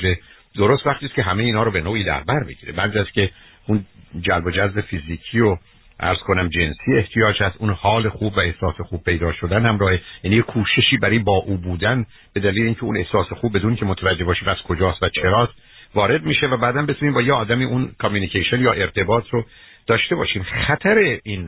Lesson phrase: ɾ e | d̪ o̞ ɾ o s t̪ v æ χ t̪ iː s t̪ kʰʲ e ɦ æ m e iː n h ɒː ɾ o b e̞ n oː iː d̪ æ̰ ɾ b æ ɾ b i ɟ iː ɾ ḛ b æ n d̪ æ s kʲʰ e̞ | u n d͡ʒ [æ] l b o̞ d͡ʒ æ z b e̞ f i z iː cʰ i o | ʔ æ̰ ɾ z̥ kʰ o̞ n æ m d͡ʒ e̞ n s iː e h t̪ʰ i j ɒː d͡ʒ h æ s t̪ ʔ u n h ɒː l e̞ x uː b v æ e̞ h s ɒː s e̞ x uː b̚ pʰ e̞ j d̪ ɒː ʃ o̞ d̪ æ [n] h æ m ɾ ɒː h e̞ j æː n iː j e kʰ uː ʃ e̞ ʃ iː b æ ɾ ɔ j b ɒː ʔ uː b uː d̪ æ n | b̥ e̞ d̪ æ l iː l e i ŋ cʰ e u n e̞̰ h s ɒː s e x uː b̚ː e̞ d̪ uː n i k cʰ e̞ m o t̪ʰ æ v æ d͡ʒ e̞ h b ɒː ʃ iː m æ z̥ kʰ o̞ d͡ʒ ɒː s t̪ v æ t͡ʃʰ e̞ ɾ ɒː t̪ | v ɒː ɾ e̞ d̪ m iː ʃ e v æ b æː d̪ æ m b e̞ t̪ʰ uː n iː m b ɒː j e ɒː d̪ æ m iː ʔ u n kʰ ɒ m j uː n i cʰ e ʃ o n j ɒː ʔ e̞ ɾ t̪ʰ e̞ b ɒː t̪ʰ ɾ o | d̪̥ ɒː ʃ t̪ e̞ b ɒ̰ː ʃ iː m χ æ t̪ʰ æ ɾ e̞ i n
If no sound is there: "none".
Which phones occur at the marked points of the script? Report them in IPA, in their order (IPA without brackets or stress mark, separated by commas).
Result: æ, n